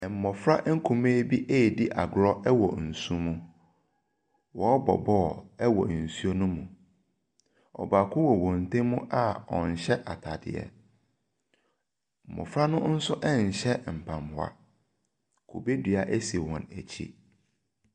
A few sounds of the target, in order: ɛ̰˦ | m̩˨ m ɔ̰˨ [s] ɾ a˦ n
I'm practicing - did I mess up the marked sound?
yes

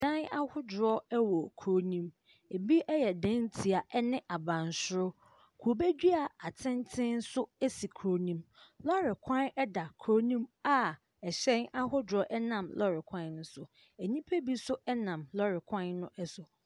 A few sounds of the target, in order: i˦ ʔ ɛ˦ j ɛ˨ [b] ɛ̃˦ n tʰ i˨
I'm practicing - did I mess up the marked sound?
yes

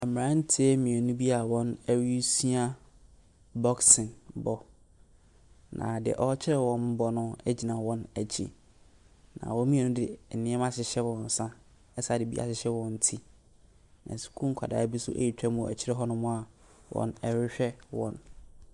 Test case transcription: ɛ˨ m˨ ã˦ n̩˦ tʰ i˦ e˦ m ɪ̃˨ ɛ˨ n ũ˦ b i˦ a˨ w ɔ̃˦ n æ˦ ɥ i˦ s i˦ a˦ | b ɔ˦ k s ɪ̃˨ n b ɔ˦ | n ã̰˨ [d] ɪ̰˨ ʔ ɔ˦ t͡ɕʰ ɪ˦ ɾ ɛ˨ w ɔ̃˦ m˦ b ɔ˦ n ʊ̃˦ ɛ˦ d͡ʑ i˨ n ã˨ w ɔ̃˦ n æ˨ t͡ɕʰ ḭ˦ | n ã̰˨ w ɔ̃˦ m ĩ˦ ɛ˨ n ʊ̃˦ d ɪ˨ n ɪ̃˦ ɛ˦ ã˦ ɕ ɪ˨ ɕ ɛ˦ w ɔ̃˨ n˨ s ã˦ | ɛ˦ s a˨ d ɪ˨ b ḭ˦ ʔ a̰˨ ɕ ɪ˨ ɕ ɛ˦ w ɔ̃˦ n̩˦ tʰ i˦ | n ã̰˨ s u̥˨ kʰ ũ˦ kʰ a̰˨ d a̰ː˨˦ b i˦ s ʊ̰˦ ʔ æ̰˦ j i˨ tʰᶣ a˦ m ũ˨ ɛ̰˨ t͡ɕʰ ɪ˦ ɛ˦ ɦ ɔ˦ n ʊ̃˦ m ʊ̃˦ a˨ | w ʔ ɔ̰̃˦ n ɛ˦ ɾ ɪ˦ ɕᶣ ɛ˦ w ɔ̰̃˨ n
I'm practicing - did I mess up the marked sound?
no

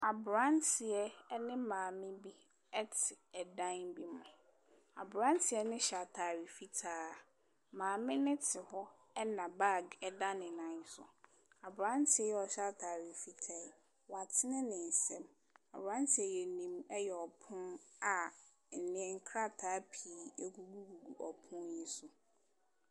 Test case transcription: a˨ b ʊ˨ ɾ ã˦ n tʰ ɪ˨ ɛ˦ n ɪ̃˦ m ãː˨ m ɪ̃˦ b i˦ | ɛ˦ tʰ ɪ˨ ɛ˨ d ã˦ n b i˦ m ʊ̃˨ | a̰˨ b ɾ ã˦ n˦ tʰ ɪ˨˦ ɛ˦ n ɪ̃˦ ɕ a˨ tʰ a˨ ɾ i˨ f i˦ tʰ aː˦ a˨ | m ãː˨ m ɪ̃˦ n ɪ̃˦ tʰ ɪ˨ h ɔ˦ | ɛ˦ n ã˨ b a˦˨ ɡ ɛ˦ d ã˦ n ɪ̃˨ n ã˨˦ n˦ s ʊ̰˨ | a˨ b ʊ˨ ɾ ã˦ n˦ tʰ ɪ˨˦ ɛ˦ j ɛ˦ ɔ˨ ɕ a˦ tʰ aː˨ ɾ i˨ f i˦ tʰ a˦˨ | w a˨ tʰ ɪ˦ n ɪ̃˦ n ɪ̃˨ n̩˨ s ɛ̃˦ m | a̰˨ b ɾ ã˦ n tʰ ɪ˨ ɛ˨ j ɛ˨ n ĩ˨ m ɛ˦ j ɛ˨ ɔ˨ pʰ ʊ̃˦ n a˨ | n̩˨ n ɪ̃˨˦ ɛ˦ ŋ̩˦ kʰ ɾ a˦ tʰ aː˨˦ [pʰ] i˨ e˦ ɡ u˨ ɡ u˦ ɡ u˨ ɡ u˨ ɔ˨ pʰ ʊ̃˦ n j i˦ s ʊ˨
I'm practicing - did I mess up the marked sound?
no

